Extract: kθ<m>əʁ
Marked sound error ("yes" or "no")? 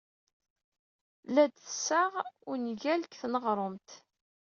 yes